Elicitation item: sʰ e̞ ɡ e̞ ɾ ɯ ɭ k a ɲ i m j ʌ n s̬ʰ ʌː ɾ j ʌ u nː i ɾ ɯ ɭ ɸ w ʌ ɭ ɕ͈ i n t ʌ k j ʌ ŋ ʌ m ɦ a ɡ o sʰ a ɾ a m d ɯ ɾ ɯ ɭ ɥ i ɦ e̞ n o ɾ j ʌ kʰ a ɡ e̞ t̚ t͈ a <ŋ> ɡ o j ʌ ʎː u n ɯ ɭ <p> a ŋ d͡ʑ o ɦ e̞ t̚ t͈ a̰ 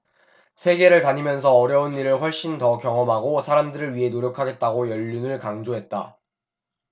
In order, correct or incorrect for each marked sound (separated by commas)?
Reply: incorrect, incorrect